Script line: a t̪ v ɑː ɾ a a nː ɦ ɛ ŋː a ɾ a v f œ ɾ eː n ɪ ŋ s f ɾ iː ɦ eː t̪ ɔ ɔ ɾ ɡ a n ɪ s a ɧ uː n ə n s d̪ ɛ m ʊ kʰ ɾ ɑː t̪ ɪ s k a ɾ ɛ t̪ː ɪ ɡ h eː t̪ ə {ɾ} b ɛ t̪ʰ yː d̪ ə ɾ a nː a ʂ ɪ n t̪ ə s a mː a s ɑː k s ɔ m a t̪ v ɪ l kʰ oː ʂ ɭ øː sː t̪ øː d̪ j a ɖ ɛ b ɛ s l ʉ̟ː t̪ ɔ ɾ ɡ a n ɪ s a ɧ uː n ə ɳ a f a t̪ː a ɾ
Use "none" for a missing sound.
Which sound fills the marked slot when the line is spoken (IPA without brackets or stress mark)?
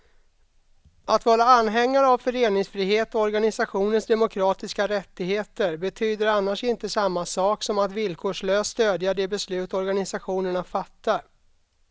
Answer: ɾ